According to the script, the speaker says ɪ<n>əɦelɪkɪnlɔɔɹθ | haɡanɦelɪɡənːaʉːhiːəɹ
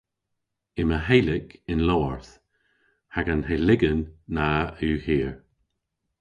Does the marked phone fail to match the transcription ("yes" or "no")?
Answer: yes